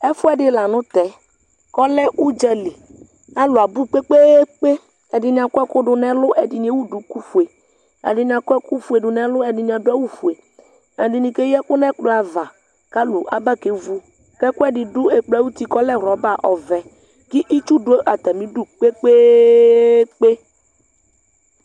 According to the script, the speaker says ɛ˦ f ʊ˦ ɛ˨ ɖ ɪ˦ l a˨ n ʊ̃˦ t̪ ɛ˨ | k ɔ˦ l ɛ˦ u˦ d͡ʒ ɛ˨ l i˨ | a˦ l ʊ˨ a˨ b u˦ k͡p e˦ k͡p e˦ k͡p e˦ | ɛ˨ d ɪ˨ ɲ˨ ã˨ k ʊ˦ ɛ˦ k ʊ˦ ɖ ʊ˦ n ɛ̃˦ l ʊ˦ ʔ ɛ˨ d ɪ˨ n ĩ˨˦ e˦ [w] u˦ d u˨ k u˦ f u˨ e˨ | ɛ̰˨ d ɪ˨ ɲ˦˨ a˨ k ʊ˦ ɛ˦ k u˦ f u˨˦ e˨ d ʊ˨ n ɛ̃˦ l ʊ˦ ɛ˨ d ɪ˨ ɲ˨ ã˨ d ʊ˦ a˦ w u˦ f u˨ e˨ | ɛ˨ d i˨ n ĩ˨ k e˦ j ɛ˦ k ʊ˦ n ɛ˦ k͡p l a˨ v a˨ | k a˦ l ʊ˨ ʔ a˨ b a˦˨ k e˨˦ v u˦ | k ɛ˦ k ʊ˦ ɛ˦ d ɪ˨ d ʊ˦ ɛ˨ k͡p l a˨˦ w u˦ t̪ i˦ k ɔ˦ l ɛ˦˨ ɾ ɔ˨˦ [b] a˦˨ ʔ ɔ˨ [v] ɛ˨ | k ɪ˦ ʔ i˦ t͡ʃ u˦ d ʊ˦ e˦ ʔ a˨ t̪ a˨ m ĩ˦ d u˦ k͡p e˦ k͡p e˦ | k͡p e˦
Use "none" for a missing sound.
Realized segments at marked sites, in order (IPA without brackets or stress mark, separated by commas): w, b, v